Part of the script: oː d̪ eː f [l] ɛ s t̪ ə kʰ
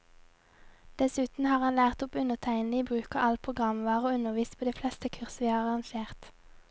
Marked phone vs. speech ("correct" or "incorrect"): correct